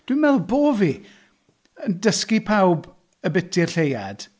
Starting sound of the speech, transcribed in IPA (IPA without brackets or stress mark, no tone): d̥